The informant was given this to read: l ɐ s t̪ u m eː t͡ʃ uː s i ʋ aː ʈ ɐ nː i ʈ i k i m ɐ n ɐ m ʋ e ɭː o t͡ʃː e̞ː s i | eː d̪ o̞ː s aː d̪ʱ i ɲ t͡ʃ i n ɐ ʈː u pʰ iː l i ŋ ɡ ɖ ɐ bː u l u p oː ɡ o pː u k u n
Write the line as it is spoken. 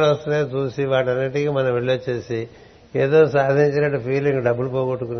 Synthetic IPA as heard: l ɐ s t̪ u n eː t͡ʃ uː s i ʋ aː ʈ ɐ nː i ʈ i k i m ɐ n ɐ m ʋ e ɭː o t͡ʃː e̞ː s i | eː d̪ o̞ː s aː d̪ʱ i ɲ t͡ʃ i n ɐ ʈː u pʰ iː l i ŋ ɡ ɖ ɐ bː u l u p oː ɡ o ʈː u k u n